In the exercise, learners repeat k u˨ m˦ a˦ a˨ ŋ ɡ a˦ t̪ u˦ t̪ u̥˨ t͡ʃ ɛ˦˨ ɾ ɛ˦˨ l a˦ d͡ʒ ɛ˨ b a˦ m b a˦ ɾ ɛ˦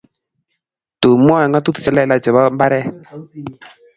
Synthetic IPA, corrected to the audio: t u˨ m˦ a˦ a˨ ŋ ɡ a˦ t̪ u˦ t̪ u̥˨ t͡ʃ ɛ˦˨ l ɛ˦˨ l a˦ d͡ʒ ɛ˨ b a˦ m b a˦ ɾ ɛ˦